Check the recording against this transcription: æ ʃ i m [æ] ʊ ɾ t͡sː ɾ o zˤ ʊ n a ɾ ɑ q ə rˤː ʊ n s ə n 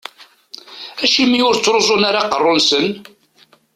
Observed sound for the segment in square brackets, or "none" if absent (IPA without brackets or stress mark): i